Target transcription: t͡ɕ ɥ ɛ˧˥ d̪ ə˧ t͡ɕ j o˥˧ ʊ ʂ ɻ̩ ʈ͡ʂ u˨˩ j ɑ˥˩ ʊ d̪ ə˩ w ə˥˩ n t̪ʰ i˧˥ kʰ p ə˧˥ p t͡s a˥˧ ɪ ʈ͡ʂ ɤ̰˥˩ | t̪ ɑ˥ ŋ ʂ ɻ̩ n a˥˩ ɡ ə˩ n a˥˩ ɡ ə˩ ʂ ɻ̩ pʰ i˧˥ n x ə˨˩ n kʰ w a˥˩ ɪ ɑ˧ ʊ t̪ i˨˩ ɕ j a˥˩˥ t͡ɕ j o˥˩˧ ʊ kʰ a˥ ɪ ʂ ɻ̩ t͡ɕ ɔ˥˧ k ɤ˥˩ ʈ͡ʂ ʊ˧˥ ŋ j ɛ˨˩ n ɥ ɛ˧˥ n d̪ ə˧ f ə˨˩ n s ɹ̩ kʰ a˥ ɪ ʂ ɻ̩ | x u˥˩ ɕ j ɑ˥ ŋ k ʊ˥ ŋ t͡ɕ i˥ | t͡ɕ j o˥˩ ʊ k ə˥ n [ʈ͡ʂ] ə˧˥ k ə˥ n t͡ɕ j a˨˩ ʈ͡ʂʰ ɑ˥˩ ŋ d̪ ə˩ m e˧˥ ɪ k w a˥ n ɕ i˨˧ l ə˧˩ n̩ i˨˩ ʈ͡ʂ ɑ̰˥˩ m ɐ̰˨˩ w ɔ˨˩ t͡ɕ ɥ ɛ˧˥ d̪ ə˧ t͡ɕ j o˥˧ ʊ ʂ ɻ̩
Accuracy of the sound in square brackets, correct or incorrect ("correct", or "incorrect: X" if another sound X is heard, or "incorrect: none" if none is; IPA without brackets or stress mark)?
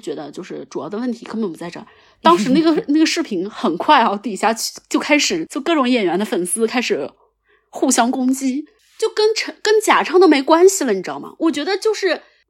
incorrect: ʈ͡ʂʰ